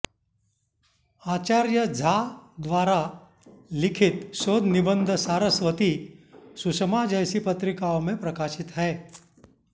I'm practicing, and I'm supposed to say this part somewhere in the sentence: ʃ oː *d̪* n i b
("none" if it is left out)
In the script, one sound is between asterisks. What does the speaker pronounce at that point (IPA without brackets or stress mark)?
d̪